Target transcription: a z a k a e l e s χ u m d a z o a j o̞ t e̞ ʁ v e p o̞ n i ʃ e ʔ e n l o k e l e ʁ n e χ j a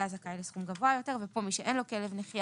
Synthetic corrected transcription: a z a k a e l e s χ u m ɡ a v o a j o̞ t e̞ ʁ v e p o̞ m i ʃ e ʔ e n l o k e l e v n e χ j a